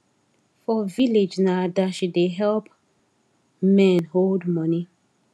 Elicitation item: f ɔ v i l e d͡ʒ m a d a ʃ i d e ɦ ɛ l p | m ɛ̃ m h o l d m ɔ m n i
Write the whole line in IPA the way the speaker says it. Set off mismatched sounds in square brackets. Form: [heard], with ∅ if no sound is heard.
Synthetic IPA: f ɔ v i l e d͡ʒ [n] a d a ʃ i d e ɦ ɛ l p | m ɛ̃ [n] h o l d m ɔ [∅] n i